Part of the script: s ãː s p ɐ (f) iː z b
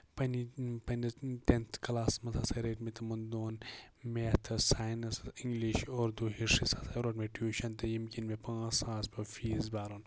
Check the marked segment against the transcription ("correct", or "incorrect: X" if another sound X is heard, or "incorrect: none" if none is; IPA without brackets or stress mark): correct